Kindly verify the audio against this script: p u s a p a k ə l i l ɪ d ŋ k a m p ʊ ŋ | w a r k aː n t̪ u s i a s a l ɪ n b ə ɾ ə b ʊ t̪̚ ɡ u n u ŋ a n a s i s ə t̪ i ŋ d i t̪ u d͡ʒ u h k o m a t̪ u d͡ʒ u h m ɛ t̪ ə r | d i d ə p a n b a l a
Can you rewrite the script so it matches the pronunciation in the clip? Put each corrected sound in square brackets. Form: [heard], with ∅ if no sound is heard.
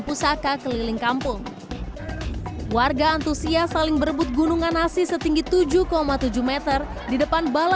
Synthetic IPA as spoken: p u s a [k] a k ə l i l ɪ [∅] ŋ k a m p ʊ ŋ | w a r [ɡ] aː n t̪ u s i a s a l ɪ [ŋ] b ə ɾ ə b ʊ t̪̚ ɡ u n u ŋ a n a s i s ə t̪ i ŋ [ɡ] i t̪ u d͡ʒ u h k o m a t̪ u d͡ʒ u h m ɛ t̪ ə r | d i d ə p a n b a l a